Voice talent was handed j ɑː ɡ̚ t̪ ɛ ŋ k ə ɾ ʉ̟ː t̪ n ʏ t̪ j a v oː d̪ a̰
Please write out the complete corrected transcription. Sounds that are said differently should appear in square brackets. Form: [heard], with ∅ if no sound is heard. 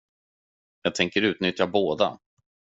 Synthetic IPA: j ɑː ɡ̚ [t̪ʰ] ɛ ŋ k ə ɾ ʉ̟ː t̪ n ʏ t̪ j a [b] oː d̪ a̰